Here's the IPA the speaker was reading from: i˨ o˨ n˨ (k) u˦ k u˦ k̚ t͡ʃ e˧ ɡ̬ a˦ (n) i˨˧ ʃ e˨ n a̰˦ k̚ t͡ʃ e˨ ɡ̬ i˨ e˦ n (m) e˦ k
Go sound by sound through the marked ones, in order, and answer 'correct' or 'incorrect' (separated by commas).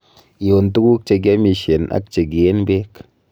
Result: incorrect, incorrect, incorrect